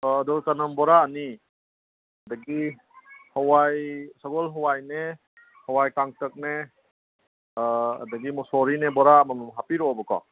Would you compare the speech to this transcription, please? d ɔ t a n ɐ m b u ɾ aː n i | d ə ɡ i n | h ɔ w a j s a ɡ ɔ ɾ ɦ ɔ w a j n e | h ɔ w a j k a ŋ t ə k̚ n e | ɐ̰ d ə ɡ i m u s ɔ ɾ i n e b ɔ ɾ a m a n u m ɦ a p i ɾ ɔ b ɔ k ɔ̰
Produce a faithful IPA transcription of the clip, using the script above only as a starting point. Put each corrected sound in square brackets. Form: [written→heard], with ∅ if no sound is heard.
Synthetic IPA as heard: d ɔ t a n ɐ m b [u→ɔ] ɾ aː n i | d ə ɡ i [n→∅] | h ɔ w a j s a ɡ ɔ [ɾ→l] ɦ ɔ w a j n e | h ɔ w a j k a ŋ t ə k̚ n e | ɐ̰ d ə ɡ i m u s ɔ ɾ i n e b ɔ ɾ a m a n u m ɦ a p i ɾ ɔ b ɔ k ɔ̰